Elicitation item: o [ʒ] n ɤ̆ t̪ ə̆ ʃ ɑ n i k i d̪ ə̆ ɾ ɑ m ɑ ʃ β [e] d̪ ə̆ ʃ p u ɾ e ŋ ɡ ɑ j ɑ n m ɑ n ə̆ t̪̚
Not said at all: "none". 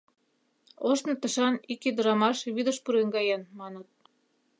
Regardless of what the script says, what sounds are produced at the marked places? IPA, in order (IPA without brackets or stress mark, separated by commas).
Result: ʃ, i